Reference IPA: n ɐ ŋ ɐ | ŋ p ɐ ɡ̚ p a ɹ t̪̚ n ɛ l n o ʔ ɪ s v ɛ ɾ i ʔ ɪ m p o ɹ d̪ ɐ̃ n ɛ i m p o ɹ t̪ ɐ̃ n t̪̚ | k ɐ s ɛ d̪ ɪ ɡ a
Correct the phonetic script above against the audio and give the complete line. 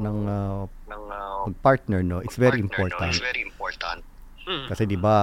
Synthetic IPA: n ɐ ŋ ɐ | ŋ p ɐ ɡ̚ p a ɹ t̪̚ n ɛ ɹ n o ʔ ɪ s v ɛ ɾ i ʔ ɪ m p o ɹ t̪ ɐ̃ n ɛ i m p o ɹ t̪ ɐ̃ n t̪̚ | k ɐ s ɛ d̪ ɪ b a